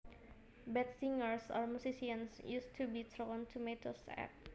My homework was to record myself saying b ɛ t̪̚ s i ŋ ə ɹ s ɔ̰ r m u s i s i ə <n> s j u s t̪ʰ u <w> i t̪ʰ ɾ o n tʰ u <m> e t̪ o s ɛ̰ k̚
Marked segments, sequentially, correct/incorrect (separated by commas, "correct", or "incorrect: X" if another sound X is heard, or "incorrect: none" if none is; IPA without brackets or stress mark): correct, incorrect: b, correct